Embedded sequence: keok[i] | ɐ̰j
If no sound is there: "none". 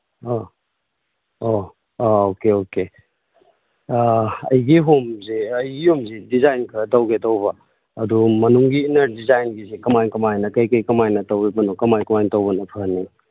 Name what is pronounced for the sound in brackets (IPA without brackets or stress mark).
e